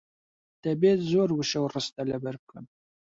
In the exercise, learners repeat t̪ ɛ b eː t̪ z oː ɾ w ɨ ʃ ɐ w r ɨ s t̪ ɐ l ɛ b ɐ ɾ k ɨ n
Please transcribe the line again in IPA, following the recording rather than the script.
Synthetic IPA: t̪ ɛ b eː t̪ z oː ɾ w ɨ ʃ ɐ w r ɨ s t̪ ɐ l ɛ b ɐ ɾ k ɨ n